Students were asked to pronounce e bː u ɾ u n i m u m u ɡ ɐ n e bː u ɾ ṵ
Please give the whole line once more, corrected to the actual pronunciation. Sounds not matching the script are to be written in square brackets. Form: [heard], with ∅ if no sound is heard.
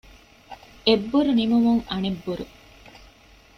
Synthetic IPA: e bː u ɾ u n i m u m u [ŋ] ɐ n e bː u ɾ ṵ